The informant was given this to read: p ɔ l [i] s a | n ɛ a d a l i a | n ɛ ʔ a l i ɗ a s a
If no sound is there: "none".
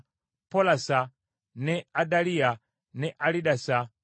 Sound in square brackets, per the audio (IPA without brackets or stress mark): a